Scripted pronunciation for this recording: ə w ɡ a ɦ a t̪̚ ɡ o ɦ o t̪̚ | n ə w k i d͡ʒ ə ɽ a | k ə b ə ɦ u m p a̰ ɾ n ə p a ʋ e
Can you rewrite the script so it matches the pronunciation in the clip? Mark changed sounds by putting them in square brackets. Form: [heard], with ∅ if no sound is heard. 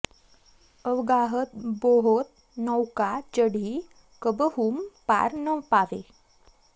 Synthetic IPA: ə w ɡ a ɦ [ə] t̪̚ [b] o ɦ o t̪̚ | n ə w k [a] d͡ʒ ə ɽ [i] | k ə b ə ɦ u m p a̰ ɾ n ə p a ʋ e